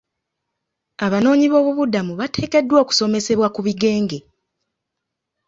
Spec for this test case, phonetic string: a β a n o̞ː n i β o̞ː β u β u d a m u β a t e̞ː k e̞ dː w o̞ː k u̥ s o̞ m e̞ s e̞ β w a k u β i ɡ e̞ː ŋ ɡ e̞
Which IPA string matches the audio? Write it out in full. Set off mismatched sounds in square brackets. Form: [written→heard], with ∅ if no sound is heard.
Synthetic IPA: a β a n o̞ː [n→ɲ] i β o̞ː β u β u d a m u β a t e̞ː k e̞ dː w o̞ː k u̥ s o̞ m e̞ s e̞ β w a k u β i ɡ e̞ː ŋ ɡ e̞